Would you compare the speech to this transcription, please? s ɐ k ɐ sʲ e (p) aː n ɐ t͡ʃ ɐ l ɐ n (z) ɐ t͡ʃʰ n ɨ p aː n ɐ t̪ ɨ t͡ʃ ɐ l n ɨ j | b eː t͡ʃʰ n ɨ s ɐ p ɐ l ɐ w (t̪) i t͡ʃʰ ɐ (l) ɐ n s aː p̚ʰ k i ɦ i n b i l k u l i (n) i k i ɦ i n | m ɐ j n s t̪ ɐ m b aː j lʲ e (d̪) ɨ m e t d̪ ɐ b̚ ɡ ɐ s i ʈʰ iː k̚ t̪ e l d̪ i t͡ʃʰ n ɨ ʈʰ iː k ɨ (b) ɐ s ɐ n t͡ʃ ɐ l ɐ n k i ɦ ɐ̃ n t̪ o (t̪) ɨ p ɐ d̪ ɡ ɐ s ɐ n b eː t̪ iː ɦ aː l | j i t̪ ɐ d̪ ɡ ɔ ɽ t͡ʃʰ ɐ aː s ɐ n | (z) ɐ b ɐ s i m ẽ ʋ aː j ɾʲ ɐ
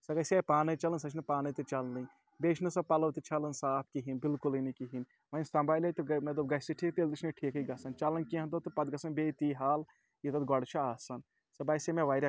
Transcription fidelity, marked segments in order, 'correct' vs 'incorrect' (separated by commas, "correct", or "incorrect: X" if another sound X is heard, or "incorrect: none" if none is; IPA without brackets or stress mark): correct, incorrect: s, correct, correct, correct, incorrect: t̪, incorrect: ɡ, correct, incorrect: s